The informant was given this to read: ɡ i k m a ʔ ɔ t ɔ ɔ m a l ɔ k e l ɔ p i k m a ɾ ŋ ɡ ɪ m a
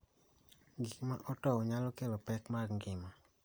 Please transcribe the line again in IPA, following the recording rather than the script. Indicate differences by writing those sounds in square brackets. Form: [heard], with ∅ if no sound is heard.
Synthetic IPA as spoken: ɡ i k m a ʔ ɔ t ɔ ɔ [ɲ] a l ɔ k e l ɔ p [ɛ] k m a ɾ ŋ ɡ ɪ m a